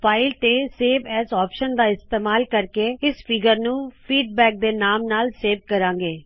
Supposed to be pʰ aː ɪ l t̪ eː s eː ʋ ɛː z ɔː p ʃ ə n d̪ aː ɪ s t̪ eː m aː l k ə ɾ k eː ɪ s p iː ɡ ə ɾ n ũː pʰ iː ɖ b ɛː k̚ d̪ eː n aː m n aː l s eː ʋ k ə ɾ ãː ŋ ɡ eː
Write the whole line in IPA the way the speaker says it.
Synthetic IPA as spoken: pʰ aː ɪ l t̪ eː s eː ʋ ɛː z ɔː p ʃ ə n d̪ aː ɪ s t̪ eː m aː l k ə ɾ k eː ɪ s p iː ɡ ə ɾ n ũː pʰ iː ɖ b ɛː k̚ d̪ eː n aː m n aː l s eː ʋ k ə ɾ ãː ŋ ɡ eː